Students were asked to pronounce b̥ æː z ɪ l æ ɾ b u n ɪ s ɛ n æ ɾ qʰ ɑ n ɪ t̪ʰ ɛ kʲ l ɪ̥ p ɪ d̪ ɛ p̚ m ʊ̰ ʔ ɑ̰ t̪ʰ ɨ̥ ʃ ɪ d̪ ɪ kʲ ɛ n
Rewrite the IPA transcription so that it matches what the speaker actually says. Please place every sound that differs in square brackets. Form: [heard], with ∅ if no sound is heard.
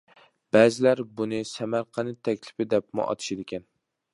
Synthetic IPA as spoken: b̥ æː z ɪ l æ ɾ b u n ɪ s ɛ [m] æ ɾ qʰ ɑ n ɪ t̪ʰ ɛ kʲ l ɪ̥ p ɪ d̪ ɛ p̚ m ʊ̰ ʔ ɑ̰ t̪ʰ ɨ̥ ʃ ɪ d̪ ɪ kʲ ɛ n